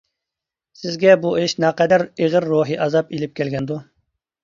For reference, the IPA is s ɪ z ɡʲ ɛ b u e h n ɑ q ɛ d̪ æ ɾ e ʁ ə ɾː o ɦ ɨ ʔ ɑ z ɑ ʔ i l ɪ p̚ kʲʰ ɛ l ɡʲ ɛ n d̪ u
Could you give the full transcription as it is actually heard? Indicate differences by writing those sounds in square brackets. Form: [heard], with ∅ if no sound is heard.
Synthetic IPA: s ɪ z ɡʲ ɛ b u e [ʃ] n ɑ q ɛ d̪ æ ɾ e ʁ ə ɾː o ɦ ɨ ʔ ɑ z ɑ [p] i l ɪ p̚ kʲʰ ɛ l ɡʲ ɛ n d̪ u